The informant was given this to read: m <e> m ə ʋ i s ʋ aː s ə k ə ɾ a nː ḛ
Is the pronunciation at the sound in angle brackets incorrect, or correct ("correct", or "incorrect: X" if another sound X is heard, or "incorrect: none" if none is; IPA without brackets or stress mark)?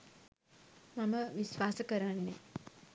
incorrect: a